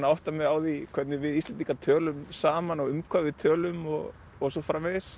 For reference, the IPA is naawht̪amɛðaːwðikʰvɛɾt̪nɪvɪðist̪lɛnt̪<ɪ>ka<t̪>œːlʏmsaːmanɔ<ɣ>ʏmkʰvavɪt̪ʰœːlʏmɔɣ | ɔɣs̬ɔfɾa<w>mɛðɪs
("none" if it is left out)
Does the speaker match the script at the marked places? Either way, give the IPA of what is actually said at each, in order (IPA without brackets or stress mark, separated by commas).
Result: i, t̪ʰ, ɣ, none